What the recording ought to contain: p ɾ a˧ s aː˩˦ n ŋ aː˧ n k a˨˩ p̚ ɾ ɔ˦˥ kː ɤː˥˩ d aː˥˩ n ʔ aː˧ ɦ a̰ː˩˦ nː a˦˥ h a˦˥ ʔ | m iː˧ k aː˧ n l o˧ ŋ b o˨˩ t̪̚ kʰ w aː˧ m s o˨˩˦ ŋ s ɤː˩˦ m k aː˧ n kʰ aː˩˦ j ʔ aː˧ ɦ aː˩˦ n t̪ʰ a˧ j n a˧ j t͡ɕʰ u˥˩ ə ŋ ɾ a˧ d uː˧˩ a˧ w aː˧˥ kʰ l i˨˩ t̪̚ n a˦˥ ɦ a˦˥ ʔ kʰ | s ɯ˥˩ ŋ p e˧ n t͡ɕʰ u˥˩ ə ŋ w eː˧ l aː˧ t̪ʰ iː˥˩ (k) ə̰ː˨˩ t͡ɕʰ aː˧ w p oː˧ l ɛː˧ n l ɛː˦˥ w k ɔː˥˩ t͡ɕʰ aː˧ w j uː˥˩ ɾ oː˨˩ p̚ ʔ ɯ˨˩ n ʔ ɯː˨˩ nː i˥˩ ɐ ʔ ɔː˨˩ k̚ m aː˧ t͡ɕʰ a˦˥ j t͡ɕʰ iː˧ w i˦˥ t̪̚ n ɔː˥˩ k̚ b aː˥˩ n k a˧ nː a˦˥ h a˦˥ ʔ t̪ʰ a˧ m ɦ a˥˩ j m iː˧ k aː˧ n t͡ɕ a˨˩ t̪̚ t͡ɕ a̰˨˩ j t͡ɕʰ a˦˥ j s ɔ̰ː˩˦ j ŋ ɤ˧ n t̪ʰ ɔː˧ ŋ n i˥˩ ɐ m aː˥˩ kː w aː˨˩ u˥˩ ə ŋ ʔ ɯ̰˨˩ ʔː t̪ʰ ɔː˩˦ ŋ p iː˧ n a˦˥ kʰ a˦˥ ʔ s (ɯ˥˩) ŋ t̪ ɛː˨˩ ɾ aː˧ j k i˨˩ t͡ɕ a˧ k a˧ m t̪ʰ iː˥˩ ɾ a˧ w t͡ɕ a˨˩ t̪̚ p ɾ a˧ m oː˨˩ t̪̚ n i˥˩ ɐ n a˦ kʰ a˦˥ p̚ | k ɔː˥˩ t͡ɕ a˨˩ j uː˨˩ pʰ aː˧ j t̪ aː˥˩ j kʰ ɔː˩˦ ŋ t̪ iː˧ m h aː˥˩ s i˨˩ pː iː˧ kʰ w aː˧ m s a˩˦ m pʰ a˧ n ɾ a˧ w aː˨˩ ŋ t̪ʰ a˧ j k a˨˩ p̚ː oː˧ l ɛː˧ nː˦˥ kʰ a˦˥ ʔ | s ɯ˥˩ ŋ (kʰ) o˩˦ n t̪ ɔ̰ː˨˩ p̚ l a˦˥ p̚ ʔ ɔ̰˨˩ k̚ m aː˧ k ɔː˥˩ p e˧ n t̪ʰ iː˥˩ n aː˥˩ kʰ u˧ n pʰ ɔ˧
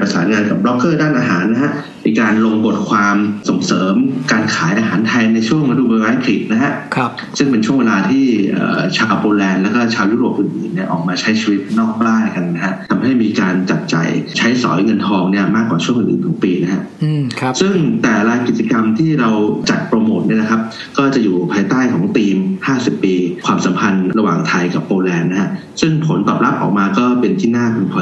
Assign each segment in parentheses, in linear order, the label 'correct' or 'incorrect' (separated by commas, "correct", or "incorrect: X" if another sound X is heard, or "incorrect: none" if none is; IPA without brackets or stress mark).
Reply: incorrect: ʔ, correct, incorrect: pʰ